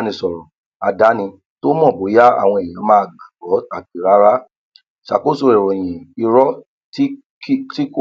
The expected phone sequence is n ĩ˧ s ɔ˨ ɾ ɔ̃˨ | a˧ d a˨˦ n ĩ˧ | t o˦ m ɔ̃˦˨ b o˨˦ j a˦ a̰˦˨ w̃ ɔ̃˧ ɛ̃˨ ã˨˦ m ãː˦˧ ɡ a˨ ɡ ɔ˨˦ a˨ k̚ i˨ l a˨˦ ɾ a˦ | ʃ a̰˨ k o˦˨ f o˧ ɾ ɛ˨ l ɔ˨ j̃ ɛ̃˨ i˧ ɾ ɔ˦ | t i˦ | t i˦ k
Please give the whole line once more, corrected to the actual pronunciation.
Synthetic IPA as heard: n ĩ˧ s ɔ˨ ɾ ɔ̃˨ | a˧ d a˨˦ n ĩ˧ | t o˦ m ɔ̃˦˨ b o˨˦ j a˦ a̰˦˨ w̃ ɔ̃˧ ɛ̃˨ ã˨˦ m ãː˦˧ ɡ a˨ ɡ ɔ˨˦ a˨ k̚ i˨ ɾ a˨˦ ɾ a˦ | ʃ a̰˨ k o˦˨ s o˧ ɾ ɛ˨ ɾ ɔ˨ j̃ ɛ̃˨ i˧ ɾ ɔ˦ | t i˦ | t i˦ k